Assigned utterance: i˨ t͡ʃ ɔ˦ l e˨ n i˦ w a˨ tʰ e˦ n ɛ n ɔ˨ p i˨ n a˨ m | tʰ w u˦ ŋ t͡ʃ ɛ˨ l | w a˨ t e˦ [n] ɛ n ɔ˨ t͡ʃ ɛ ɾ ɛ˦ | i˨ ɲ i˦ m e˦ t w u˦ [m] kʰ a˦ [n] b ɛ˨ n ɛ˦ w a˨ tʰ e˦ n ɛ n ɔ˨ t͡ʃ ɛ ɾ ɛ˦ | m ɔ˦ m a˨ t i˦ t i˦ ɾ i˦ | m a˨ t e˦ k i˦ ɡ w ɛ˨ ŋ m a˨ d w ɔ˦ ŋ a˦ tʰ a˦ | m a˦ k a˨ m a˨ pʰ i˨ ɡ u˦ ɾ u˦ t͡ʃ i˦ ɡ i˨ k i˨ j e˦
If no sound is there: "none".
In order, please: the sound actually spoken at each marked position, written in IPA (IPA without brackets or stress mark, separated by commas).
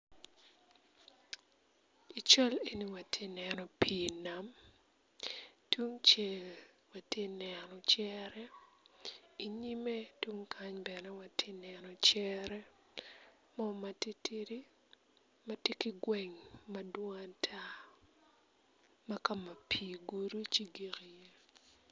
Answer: n, ŋ, ɲ